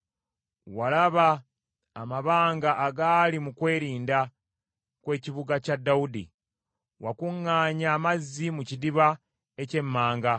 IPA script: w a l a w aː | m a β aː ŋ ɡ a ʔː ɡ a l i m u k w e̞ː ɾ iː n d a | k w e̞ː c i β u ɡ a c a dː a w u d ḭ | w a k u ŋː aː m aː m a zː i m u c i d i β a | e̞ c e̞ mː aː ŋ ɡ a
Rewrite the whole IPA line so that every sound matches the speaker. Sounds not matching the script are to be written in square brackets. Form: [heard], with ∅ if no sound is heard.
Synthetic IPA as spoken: w a l a [β] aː | m a β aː ŋ ɡ a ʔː ɡ a l i m u k w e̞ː ɾ iː n d a | k w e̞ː c i β u ɡ a c a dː a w u d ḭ | w a k u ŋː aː [ɲ] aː m a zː i m u c i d i β a | e̞ c e̞ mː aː ŋ ɡ a